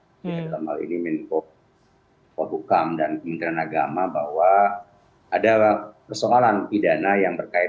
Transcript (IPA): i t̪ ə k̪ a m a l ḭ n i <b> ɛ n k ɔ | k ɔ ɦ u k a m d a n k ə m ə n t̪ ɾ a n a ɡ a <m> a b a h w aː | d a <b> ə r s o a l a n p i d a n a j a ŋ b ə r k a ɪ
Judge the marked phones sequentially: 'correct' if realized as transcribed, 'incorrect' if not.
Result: incorrect: m, correct, incorrect: p

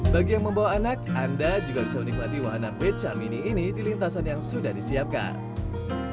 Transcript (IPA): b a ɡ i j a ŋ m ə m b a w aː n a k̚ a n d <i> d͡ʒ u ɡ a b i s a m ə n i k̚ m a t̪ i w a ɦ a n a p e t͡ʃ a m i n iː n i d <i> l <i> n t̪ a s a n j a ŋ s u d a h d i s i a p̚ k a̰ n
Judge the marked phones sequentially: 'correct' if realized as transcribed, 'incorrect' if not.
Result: incorrect: a, correct, correct

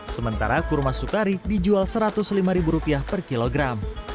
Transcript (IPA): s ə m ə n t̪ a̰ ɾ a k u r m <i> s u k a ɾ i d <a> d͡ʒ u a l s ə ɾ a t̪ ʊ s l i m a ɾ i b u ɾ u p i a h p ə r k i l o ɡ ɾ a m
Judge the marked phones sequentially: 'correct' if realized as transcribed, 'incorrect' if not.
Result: incorrect: a, incorrect: i

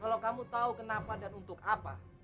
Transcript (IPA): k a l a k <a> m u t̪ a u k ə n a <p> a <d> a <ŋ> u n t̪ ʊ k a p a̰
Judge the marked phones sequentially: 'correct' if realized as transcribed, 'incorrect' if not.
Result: correct, correct, correct, incorrect: n

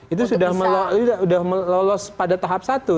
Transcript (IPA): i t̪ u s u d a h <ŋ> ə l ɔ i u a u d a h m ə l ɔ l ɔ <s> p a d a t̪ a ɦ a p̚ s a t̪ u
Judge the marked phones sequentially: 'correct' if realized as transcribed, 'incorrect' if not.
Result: incorrect: m, correct

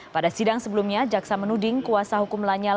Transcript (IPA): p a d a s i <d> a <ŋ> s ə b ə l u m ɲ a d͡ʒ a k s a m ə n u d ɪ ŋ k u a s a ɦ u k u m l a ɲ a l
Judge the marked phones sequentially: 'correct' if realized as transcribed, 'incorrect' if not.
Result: correct, correct

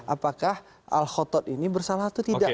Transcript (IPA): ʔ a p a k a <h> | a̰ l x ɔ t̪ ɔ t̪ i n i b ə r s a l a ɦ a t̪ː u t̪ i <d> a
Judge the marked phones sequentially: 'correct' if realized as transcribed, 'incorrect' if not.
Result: correct, correct

